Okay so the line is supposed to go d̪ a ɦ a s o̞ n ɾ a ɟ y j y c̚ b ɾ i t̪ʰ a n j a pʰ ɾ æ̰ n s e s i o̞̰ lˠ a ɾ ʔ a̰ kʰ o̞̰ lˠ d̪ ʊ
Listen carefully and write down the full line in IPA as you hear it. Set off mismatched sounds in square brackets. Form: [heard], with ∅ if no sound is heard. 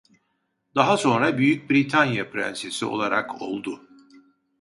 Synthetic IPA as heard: d̪ a ɦ a s o̞ n ɾ a [b] y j y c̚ b ɾ i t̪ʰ a n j a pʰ ɾ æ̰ n s e s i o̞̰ lˠ a ɾ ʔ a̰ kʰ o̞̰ lˠ d̪ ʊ